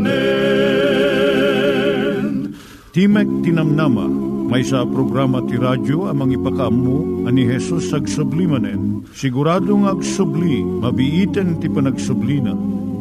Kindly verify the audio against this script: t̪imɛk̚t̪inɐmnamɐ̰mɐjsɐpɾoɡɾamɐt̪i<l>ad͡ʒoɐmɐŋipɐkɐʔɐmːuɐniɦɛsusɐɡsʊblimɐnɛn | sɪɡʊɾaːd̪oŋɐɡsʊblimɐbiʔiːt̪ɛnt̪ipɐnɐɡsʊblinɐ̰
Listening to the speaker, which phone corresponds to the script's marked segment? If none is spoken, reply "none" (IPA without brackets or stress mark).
ɾ